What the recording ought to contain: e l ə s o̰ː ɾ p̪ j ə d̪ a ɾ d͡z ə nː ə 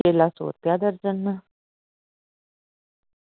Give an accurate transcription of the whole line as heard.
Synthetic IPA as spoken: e l a s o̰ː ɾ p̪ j a d̪ ə ɾ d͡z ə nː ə